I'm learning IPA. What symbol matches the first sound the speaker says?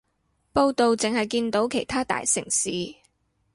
p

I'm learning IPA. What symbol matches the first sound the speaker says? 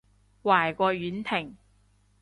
w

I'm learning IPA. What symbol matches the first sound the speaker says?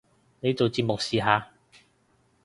n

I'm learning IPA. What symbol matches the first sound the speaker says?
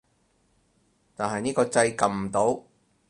t̪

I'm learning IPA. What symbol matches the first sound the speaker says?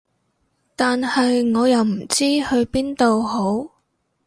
t̪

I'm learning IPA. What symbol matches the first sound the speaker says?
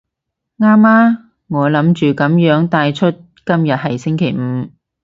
ŋ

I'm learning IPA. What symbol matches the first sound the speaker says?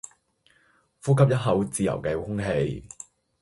f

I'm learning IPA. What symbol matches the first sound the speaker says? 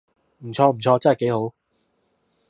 m̩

